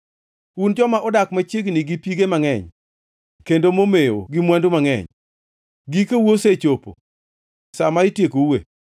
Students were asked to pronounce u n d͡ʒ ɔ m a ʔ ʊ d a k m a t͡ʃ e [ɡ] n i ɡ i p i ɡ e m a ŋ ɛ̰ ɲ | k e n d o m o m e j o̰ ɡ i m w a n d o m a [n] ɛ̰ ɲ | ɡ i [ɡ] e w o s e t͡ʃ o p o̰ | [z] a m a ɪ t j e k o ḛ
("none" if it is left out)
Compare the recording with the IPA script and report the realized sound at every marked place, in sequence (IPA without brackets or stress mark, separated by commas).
ɡ, ŋ, k, s